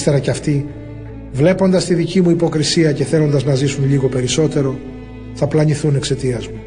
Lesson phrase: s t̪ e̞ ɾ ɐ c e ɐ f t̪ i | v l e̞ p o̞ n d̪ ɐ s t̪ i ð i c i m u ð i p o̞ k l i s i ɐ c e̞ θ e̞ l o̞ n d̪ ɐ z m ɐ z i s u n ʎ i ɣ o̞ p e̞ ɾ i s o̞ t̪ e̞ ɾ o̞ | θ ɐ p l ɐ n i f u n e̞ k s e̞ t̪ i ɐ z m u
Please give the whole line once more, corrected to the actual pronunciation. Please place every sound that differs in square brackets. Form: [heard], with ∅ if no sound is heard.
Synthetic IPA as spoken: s t̪ e̞ ɾ ɐ c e ɐ f t̪ i | v l e̞ p o̞ n d̪ ɐ s t̪ i ð i c i m u [∅] i p o̞ k [ɾ] i s i ɐ c e̞ θ e̞ l o̞ n d̪ ɐ z [n] ɐ z i s u n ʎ i ɣ o̞ p e̞ ɾ i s o̞ t̪ e̞ ɾ o̞ | θ ɐ p l ɐ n i [θ] u n e̞ k s e̞ t̪ i ɐ z m u